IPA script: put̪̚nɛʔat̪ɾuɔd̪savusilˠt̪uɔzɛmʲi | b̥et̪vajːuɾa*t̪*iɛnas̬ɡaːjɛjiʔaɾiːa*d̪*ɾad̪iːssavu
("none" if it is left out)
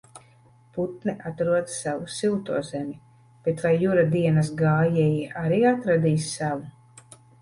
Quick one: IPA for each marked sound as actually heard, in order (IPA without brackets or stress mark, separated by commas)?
d̪, t̪